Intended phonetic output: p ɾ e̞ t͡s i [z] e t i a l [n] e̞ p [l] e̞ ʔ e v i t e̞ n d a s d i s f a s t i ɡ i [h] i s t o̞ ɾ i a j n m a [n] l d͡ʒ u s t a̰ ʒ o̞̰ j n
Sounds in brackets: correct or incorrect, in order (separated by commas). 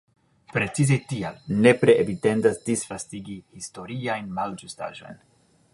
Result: correct, correct, incorrect, correct, incorrect